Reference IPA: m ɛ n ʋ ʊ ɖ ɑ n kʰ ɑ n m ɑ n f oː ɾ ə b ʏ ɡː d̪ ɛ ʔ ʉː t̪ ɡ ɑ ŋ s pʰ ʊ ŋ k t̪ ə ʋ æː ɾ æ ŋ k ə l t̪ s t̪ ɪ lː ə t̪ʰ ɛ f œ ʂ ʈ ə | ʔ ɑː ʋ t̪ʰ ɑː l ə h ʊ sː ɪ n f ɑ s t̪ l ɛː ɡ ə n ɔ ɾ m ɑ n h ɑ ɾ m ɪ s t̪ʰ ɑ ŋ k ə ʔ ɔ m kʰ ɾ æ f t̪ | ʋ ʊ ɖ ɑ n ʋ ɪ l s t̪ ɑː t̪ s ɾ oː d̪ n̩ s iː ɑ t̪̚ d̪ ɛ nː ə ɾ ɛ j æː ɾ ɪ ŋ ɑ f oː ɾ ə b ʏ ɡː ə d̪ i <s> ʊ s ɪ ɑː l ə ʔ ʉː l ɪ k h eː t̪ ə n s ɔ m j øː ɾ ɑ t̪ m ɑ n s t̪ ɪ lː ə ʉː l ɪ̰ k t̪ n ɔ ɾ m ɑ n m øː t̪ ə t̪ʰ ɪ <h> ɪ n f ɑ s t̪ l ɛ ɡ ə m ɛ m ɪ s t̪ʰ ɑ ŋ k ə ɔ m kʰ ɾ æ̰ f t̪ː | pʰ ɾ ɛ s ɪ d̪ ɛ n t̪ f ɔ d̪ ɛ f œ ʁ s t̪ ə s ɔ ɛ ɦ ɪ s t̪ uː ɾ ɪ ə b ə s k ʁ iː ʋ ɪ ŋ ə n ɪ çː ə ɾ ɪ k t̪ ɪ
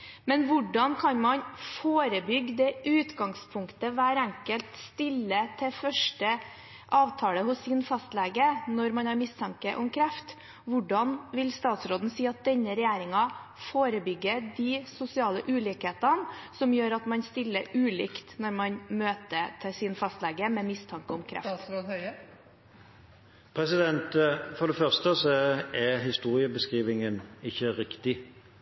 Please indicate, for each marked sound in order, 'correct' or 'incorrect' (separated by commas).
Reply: correct, incorrect